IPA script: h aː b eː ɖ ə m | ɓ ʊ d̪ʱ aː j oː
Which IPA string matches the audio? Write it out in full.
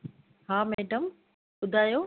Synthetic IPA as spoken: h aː m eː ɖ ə m | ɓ ʊ d̪ʱ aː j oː